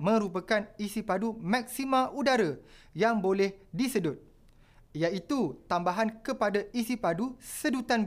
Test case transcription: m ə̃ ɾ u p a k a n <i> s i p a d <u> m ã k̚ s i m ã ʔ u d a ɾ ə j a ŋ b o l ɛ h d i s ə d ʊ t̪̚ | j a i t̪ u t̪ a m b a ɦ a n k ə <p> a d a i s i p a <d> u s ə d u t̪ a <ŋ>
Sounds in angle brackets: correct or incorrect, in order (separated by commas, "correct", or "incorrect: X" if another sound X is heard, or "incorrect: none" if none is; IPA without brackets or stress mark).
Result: correct, correct, correct, correct, incorrect: n